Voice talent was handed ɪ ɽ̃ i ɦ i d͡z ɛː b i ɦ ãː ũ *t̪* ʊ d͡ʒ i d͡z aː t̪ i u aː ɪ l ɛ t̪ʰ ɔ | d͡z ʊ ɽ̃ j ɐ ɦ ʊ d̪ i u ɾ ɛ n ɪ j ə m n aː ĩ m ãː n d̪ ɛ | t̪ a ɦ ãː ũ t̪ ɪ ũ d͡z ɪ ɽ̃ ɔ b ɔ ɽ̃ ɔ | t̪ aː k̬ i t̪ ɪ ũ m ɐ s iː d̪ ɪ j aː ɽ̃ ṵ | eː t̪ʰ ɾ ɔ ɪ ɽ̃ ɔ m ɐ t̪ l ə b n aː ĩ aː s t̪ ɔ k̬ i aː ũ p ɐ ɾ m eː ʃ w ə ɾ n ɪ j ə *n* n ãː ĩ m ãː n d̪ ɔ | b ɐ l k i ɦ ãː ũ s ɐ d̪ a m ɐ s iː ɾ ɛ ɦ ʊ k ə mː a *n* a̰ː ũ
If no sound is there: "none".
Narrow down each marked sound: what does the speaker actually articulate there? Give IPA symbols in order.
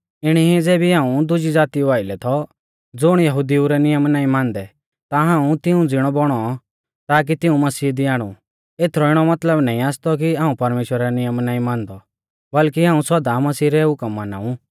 d̪, m, n

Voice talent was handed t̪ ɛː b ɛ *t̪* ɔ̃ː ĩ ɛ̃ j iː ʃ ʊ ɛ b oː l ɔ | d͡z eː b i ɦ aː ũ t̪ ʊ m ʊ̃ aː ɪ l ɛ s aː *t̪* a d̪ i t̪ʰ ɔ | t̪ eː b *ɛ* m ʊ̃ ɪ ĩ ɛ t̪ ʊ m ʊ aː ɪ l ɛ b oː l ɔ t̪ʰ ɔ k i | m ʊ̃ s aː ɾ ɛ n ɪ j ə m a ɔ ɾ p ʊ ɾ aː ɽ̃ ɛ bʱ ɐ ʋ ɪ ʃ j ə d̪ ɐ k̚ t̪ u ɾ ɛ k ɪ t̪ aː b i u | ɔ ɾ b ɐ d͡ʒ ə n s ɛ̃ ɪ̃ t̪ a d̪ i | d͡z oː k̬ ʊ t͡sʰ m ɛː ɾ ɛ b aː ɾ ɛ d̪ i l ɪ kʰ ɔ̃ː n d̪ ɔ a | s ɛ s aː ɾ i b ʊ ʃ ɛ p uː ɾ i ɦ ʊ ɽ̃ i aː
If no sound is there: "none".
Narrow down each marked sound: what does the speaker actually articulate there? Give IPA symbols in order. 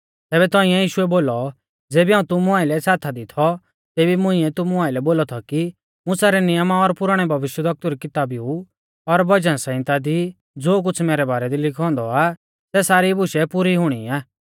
t̪, t̪ʰ, i

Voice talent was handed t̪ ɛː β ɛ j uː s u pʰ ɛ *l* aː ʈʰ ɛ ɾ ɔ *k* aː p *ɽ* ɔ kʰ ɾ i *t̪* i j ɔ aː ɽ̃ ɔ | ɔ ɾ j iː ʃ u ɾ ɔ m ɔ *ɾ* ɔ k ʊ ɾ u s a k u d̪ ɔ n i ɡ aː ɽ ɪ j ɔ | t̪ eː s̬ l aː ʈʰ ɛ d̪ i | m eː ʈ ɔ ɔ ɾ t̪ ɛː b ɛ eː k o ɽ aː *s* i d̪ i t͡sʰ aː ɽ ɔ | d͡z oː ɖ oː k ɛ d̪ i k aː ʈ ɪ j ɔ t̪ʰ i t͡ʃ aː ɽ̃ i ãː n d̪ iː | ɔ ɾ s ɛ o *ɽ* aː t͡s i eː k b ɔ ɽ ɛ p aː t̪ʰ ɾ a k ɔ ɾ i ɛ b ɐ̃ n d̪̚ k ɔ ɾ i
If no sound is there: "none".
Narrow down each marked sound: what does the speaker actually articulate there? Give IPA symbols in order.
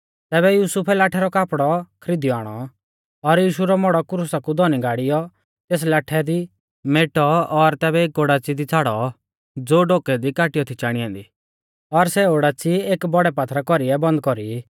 l, k, ɽ, d̪, ɽ, t͡s, ɽ

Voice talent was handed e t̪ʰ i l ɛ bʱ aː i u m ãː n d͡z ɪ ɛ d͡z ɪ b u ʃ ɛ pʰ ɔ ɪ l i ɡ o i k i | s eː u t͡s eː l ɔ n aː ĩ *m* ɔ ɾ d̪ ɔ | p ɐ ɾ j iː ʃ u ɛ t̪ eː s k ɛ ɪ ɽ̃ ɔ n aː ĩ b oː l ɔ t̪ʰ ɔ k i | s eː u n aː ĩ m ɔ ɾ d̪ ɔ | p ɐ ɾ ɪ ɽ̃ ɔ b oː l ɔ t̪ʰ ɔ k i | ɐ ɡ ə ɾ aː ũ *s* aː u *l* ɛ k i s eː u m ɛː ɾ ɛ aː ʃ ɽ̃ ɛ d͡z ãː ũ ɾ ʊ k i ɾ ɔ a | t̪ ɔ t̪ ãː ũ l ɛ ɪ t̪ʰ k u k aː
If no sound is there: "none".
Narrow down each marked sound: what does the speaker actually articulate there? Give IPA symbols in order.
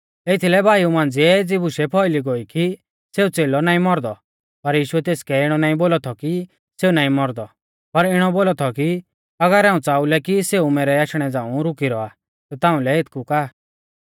m, t͡s, l

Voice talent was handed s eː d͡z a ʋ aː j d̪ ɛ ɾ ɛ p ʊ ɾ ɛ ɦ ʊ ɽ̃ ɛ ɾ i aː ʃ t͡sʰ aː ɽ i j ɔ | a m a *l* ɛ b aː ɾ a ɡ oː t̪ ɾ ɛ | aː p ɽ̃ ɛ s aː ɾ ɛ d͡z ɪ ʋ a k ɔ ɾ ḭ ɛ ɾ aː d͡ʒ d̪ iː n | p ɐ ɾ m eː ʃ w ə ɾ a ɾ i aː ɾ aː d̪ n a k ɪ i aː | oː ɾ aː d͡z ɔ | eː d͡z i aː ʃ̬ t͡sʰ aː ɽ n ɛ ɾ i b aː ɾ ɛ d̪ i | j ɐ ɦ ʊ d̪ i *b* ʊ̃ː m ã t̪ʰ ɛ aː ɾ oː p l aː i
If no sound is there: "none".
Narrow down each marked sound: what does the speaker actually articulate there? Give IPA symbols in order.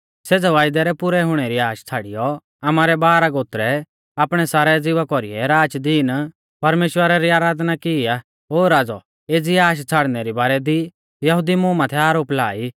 ɾ, m

